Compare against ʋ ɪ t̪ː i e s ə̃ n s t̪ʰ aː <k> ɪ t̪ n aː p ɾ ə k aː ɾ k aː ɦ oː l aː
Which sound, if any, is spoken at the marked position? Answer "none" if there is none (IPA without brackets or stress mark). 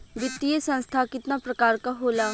k